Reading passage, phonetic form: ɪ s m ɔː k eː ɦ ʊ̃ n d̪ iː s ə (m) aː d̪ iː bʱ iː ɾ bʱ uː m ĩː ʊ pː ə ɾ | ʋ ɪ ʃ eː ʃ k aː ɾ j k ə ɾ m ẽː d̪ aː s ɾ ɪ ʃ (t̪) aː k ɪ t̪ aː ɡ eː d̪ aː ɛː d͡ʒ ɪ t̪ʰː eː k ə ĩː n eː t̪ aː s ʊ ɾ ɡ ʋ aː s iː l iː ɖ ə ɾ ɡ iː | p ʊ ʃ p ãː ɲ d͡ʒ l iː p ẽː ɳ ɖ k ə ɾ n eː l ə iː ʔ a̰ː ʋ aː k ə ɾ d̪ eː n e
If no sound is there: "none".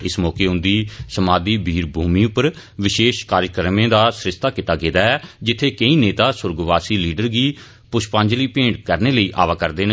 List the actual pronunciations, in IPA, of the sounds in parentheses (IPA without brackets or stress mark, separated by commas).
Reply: m, t̪